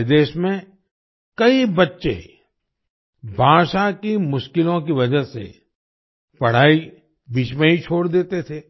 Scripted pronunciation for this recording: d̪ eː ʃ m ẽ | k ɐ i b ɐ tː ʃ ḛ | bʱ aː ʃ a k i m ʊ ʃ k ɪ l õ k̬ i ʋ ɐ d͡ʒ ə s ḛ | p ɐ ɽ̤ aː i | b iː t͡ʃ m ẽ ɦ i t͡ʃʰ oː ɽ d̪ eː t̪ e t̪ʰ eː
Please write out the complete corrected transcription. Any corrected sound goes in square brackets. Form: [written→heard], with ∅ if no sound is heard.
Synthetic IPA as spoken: d̪ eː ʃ m ẽ | k ɐ i b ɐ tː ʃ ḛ | bʱ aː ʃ a k i m ʊ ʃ k ɪ l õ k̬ i ʋ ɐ d͡ʒ ə s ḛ | p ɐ ɽ̤ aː i | b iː t͡ʃ m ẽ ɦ i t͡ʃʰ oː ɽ d̪ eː t̪ e t̪ʰ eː